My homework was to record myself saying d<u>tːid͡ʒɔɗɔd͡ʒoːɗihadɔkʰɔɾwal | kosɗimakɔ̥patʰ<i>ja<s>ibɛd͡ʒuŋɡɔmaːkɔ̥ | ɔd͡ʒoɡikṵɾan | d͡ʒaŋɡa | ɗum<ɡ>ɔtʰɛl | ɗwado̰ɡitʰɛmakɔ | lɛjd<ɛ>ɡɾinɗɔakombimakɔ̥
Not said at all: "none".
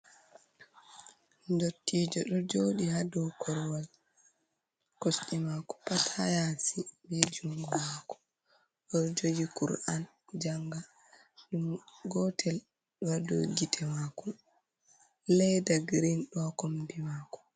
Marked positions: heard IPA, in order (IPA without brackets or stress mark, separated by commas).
o, a, s, ɡ, a